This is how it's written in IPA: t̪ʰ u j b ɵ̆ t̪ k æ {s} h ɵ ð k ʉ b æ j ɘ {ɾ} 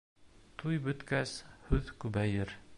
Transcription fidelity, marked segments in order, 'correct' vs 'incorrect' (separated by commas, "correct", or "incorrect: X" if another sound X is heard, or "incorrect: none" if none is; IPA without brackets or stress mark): correct, correct